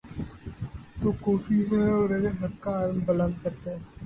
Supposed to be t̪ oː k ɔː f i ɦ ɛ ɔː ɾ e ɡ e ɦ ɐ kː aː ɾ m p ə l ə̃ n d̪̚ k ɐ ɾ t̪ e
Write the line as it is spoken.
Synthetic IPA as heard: t̪ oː k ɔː f i ɦ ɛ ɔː ɾ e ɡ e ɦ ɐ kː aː ɾ m b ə l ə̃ n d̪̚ k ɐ ɾ t̪ e